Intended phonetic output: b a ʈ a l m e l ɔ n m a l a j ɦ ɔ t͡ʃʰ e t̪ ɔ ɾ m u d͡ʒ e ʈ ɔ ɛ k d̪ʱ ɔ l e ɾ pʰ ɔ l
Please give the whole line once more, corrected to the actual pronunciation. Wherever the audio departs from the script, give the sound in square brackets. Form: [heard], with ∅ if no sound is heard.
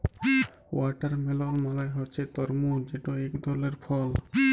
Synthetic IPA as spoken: [w] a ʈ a [ɾ] m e l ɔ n m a l a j ɦ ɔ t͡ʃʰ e t̪ ɔ ɾ m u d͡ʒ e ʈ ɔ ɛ k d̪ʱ ɔ l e ɾ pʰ ɔ l